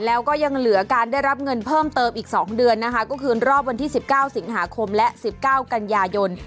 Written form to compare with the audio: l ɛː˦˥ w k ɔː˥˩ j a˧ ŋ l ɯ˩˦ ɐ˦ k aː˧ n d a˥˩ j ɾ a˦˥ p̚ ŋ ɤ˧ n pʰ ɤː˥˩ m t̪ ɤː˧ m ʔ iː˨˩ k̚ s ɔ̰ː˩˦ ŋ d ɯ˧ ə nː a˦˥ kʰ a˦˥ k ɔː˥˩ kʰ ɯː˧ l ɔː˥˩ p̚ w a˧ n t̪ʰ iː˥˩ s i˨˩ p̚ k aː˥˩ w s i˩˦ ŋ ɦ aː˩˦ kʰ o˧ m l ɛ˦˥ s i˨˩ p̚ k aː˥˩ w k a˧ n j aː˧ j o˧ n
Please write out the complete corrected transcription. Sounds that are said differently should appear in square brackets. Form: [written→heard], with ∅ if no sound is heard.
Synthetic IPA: l ɛː˦˥ w k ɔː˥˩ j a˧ ŋ l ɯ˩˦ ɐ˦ k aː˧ n d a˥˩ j ɾ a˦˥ p̚ ŋ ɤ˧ n pʰ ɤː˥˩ m t̪ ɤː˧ m ʔ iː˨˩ k̚ s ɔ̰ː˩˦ ŋ d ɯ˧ ə nː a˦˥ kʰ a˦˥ k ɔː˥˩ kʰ ɯː˧ [l→ɾ] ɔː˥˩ p̚ w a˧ n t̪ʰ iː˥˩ s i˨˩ p̚ k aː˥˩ w s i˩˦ ŋ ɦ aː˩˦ kʰ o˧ m l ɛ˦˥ s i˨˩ p̚ k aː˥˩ w k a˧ n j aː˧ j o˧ n